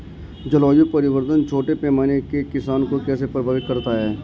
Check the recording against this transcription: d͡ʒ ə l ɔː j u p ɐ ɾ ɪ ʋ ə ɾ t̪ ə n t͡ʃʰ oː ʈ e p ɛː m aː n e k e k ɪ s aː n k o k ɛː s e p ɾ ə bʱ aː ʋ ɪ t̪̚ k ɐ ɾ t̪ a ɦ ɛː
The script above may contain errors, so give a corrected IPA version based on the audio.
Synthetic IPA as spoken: d͡ʒ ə l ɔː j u p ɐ ɾ ɪ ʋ ə ɾ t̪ ə n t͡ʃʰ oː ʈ e p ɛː m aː n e k e k ɪ s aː n k o k ɛː s e p ɾ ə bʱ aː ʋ ɪ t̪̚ k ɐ ɾ t̪ a ɦ ɛː

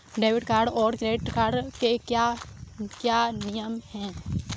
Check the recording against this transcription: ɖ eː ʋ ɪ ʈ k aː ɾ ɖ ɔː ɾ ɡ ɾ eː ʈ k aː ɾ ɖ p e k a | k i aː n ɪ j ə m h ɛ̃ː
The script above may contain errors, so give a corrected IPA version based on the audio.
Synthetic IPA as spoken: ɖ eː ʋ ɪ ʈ k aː ɾ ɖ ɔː ɾ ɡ ɾ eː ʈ k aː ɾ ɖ k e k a | k j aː n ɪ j ə m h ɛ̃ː

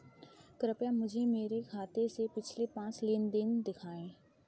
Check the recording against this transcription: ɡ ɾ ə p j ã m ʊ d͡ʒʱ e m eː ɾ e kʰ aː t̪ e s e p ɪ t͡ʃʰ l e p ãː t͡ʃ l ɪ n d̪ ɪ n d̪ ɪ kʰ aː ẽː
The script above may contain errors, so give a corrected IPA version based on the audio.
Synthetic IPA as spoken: k ɾ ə p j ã m ʊ d͡ʒʱ e m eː ɾ e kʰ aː t̪ e s e p ɪ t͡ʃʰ l e p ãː t͡ʃ l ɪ n d̪ ɪ n d̪ ɪ kʰ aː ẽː

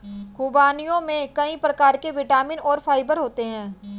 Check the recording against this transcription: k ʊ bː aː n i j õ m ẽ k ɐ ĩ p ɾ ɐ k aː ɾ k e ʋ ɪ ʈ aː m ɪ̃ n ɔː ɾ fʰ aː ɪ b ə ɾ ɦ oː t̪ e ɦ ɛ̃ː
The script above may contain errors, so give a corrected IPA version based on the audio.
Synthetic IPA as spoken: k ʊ b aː n i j õ m ẽ k ɐ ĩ p ɾ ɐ k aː ɾ k e ʋ ɪ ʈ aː m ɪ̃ n ɔː ɾ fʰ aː ɪ b ə ɾ ɦ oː t̪ e ɦ ɛ̃ː

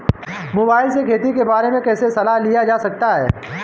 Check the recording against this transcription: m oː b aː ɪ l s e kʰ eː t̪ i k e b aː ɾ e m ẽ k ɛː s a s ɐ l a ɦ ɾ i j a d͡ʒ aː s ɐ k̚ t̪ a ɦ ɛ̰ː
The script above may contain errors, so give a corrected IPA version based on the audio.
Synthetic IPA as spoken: m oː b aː ɪ l s e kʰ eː t̪ i k e b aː ɾ e m ẽ k ɛː s e s ɐ l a ɦ l i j a d͡ʒ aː s ɐ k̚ t̪ a ɦ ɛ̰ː

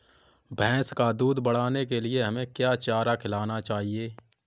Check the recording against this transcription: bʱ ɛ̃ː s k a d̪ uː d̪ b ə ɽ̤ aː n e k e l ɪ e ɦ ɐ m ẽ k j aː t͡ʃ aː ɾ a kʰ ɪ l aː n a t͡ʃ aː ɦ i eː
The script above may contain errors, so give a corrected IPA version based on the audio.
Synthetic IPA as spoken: bʱ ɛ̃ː s k a d̪ uː d̪ b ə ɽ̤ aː n e k e l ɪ e ɦ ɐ m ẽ k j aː t͡ʃ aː ɾ a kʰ ɪ l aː n a t͡ʃ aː ɦ i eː

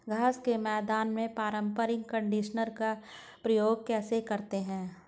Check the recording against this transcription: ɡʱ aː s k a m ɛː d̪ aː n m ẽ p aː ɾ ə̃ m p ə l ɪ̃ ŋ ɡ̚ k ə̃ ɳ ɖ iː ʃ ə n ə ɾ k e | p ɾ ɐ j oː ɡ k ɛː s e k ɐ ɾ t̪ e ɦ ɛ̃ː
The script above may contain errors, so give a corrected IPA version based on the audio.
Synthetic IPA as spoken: ɡʱ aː s k e m ɛː d̪ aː n m ẽ p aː ɾ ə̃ m p ə ɾ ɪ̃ ŋ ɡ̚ k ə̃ ɳ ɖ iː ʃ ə n ə ɾ k a | p ɾ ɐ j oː ɡ k ɛː s e k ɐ ɾ t̪ e ɦ ɛ̃ː

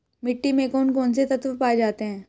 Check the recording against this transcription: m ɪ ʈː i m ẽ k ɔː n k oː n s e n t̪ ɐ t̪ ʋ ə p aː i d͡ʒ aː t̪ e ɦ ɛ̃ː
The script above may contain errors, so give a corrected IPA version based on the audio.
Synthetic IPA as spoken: m ɪ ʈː i m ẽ k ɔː n k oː n s e t̪ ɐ t̪ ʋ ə p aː e d͡ʒ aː t̪ e ɦ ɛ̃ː

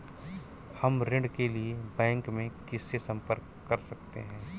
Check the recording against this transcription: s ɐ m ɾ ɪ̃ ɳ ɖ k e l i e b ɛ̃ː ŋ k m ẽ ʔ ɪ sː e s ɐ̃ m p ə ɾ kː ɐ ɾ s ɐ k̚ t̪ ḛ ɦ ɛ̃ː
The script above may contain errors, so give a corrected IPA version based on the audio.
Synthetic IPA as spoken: h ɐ m ɾ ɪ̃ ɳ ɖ k e l i e b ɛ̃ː ŋ k m ẽ k ɪ sː e s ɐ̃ m p ə ɾ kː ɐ ɾ s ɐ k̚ t̪ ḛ ɦ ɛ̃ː

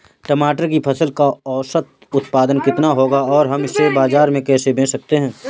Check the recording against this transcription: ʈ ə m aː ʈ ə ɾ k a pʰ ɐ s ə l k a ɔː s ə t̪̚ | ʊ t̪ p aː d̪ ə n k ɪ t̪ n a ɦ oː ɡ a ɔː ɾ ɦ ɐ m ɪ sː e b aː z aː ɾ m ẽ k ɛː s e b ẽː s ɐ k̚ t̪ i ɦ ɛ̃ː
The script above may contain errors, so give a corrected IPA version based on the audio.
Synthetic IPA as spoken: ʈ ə m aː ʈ ə ɾ k i pʰ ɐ s ə l k a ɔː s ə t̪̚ | ʊ t̪ p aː d̪ ə n k ɪ t̪ n a ɦ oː ɡ a ɔː ɾ ɦ ɐ m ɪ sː e b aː z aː ɾ m ẽ k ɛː s e b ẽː s ɐ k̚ t̪ e ɦ ɛ̃ː

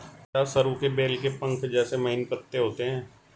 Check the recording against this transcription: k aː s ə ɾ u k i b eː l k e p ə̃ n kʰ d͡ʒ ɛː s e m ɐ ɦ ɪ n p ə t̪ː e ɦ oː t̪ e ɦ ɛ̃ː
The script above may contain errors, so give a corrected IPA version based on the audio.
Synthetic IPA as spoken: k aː s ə ɾ u k e b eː l k e p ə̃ ŋ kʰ d͡ʒ ɛː s e m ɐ ɦ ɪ n p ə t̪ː e ɦ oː t̪ e ɦ ɛ̃ː

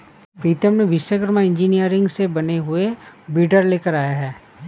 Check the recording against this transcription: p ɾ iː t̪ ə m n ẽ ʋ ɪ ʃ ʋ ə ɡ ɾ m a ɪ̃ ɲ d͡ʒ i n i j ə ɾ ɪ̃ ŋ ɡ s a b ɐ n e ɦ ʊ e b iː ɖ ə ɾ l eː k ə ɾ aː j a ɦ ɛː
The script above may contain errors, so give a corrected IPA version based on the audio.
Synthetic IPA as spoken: p ɾ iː t̪ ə m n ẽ ʋ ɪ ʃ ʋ ə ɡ ɾ m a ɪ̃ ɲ d͡ʒ i n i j ə ɾ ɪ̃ ŋ ɡ s e b ɐ n e ɦ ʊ e b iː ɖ ə ɾ l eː k ə ɾ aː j a ɦ ɛː

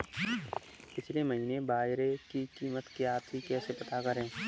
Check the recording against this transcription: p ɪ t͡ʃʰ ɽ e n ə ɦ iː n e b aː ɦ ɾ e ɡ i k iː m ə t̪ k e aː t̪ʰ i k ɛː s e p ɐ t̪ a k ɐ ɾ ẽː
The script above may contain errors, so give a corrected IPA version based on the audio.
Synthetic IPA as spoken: p ɪ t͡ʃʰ l e m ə ɦ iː n e b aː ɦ ɾ e k i k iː m ə t̪ k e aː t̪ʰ i k ɛː s e p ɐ t̪ a k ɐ ɾ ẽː

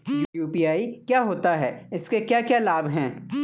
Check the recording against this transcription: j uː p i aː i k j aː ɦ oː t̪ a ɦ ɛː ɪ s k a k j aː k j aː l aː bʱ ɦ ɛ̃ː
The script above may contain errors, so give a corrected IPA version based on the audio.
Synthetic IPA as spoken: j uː p i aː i k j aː ɦ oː t̪ a ɦ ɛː ɪ s k e k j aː k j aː l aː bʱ ɦ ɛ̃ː

